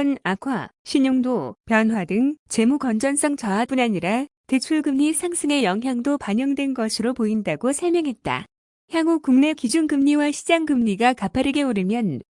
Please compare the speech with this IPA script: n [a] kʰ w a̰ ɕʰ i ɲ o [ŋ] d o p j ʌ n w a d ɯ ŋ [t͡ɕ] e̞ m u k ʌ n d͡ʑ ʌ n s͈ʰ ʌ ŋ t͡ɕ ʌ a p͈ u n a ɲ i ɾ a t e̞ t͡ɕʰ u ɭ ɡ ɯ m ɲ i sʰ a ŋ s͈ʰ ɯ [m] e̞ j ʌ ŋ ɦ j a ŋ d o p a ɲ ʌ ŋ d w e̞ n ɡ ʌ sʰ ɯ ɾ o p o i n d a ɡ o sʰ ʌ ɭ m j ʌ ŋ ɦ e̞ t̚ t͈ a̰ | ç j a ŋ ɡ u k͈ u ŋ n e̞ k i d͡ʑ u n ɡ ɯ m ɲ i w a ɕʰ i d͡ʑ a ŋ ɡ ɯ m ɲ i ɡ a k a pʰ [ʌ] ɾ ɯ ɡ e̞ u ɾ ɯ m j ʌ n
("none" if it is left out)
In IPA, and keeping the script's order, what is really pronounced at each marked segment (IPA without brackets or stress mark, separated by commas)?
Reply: a, ŋ, t͡ɕ, ŋ, a